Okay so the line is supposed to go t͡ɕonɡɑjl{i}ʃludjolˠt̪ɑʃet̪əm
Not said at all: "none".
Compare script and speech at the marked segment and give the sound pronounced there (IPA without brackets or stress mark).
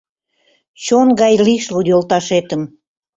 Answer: i